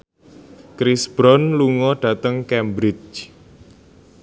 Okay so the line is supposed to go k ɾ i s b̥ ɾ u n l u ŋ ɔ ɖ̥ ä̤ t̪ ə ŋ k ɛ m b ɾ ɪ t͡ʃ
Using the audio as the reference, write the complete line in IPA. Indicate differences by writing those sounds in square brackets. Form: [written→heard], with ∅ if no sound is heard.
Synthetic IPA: k ɾ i s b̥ ɾ [u→ɔ] n l u ŋ ɔ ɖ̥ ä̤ t̪ ə ŋ k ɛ m b ɾ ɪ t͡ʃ